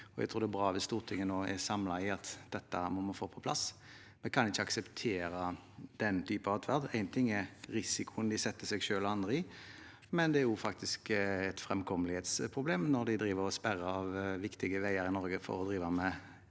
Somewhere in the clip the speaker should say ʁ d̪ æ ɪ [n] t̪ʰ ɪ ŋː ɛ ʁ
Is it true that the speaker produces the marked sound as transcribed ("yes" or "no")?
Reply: yes